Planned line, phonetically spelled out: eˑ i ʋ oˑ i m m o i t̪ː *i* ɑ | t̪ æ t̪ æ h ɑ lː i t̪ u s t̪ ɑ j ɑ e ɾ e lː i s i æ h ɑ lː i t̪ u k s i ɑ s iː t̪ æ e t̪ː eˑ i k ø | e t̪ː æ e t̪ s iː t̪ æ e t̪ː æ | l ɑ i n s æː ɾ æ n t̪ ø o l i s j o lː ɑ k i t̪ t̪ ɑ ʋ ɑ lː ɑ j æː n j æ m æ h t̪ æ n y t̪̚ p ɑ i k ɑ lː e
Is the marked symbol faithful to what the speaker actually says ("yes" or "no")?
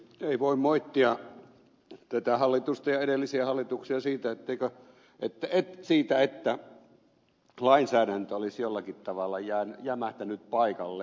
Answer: yes